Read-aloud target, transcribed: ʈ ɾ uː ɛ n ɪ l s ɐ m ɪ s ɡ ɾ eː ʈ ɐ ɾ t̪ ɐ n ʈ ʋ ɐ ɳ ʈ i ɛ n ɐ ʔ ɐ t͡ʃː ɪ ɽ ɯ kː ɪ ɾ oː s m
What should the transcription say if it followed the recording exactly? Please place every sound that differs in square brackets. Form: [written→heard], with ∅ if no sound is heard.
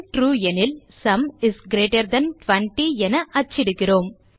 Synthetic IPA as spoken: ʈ ɾ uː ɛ n ɪ l s ɐ m ɪ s ɡ ɾ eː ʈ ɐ ɾ [t̪→d̪] ɐ n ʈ ʋ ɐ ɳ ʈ i ɛ n ɐ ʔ ɐ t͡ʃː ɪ ɽ ɯ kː ɪ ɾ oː [s→∅] m